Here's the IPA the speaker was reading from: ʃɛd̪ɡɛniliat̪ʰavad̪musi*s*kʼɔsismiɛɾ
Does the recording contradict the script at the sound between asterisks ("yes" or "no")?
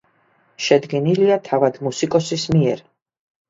yes